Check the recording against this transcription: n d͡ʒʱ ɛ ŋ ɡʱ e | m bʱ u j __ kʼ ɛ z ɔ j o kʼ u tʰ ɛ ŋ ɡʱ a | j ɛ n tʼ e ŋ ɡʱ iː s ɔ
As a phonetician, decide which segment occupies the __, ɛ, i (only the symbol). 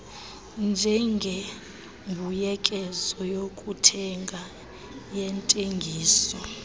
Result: ɛ